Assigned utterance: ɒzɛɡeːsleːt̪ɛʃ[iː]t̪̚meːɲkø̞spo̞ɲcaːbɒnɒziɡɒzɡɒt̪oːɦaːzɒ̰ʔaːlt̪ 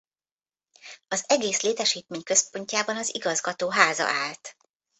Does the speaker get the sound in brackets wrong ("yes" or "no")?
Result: no